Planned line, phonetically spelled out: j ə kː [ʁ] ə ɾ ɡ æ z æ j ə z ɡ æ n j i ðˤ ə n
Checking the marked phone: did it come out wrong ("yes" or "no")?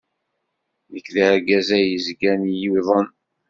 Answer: yes